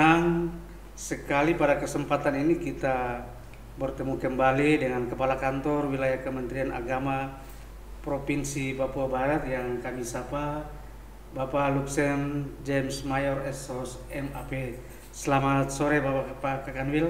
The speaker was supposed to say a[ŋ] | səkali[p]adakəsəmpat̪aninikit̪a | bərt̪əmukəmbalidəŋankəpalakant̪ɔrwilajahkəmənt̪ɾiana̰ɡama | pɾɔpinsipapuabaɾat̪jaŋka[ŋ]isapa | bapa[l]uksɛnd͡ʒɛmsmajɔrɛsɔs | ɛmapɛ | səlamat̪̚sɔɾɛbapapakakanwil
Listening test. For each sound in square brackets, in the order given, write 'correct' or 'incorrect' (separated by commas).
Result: correct, correct, incorrect, correct